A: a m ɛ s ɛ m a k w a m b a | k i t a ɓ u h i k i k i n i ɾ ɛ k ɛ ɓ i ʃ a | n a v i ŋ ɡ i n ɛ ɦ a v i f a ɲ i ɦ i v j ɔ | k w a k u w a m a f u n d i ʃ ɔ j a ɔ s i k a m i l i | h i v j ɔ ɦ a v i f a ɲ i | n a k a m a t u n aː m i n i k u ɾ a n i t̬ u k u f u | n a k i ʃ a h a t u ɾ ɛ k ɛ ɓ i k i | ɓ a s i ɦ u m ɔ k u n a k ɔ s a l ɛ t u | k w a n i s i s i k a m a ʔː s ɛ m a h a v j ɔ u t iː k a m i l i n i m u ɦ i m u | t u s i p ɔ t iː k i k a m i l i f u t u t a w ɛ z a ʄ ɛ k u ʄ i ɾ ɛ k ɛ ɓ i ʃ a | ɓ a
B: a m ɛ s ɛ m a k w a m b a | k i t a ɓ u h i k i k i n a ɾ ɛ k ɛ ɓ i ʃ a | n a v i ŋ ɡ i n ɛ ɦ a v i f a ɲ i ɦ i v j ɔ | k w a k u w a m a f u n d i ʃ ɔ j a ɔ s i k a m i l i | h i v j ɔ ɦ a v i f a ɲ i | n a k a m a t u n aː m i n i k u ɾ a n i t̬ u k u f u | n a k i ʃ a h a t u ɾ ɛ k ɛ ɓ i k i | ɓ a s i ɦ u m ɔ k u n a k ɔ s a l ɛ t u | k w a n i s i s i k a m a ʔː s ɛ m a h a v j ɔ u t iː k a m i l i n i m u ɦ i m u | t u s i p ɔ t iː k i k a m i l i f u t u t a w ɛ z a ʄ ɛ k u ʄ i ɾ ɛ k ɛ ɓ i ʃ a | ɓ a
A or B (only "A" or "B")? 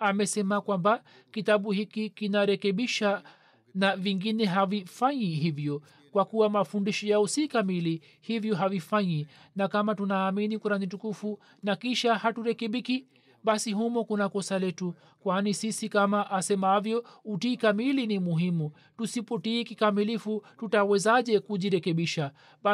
B